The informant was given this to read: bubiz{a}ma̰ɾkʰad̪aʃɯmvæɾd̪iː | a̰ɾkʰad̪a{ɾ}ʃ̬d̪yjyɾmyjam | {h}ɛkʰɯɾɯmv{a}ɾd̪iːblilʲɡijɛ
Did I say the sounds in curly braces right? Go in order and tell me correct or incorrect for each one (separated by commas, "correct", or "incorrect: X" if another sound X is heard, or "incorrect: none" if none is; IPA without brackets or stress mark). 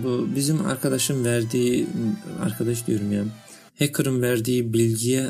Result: incorrect: i, incorrect: none, correct, incorrect: æ